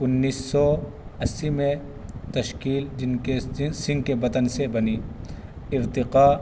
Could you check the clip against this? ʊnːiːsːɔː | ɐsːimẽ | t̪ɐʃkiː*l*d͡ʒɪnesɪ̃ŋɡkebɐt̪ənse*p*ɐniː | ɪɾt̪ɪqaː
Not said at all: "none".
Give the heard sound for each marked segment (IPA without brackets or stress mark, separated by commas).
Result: l, b